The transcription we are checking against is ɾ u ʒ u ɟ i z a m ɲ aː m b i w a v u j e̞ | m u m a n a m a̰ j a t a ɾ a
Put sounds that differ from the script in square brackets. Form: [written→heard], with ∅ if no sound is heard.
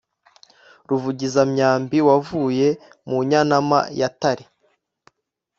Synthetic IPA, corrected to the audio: ɾ u [ʒ→v] u ɟ i z a m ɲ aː m b i w a v u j e̞ | m u [m→ɲ] a n a m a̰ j a t a ɾ [a→i]